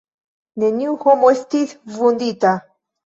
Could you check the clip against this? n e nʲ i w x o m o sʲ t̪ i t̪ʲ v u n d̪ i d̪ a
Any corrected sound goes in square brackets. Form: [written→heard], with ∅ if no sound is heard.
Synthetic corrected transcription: n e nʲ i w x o m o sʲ t̪ i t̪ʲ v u n d̪ i [d̪→t̪] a